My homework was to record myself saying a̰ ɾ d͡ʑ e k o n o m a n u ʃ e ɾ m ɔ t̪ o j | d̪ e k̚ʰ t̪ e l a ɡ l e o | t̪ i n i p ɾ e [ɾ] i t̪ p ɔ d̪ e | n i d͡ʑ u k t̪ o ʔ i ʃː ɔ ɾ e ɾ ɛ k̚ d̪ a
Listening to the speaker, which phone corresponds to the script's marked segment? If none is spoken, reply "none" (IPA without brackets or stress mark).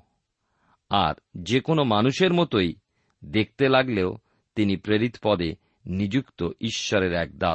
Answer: ɾ